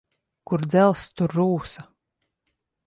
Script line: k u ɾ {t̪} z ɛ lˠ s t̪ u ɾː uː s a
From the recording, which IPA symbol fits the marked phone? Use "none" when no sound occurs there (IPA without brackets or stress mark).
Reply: d̪